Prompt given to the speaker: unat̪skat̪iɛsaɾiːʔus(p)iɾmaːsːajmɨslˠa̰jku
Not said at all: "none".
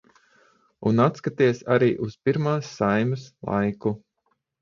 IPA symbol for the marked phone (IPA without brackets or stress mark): p